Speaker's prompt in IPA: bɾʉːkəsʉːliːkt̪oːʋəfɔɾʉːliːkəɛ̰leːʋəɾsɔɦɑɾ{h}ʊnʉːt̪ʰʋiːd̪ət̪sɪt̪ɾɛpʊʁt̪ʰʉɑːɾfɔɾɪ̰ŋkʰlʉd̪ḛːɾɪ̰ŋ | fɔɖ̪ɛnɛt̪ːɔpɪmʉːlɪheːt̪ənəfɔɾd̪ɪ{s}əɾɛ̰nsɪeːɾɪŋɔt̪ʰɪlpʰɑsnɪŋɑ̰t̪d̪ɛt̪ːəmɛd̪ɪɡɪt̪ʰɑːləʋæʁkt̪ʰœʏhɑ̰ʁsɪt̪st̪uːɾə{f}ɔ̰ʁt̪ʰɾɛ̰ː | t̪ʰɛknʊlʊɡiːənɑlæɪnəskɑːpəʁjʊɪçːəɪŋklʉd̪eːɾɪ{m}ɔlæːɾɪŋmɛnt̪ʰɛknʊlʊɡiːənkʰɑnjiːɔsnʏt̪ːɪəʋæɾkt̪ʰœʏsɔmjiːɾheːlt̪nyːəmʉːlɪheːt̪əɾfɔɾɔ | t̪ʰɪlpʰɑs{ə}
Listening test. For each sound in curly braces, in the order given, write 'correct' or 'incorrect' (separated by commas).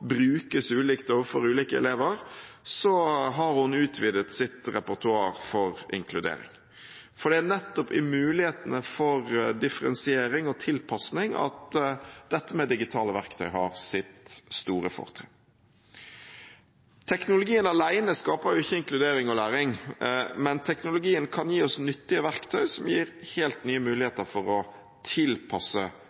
correct, incorrect, correct, incorrect, correct